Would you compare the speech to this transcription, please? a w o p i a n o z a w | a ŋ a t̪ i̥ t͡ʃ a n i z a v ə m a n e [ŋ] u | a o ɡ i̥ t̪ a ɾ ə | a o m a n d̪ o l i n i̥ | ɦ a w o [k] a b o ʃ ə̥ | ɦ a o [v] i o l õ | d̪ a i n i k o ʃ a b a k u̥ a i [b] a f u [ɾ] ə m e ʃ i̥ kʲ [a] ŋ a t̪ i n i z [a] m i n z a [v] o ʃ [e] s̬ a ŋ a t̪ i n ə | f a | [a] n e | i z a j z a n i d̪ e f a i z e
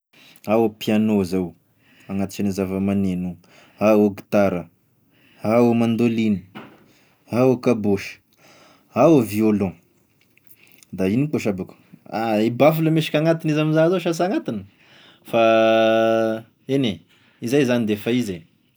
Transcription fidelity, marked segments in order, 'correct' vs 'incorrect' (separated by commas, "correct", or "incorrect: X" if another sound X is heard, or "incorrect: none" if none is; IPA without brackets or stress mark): incorrect: n, correct, correct, correct, incorrect: l, correct, correct, incorrect: z, incorrect: a, incorrect: e